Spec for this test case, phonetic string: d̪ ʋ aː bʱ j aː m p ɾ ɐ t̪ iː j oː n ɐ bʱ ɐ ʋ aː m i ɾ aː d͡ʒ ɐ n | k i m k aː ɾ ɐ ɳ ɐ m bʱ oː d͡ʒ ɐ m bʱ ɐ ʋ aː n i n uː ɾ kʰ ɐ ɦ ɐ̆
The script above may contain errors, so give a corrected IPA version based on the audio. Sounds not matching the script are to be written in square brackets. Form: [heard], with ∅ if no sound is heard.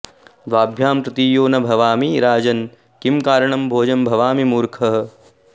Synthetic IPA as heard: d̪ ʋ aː bʱ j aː m p ɾ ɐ t̪ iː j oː n ɐ bʱ ɐ ʋ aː m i ɾ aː d͡ʒ ɐ n | k i m k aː ɾ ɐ ɳ ɐ m bʱ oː d͡ʒ ɐ m bʱ ɐ ʋ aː [m] i [m] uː ɾ kʰ ɐ ɦ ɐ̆